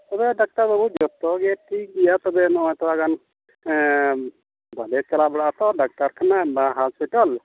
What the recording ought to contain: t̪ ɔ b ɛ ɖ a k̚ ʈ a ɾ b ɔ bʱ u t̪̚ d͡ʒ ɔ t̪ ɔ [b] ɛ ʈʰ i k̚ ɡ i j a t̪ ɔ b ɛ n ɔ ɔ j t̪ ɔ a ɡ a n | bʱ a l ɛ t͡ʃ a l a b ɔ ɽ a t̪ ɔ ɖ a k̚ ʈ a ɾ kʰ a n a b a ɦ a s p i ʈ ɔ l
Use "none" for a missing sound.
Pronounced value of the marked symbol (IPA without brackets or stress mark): ɡ